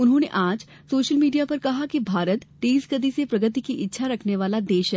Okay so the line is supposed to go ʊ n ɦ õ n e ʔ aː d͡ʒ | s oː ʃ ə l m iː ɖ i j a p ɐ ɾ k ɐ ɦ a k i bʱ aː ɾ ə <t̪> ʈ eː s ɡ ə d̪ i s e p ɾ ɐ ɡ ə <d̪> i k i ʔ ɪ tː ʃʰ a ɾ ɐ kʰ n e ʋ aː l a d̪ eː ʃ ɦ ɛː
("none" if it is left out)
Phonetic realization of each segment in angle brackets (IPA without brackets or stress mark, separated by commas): t̪, t̪